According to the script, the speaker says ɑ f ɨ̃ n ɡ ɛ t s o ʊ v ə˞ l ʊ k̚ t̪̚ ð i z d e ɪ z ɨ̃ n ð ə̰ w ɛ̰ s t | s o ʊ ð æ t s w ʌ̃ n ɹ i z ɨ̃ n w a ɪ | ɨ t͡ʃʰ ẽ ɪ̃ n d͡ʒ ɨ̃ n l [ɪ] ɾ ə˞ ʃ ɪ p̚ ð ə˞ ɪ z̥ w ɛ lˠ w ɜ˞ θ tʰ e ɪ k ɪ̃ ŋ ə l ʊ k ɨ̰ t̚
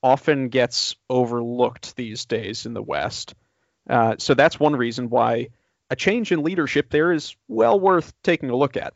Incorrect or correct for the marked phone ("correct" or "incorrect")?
incorrect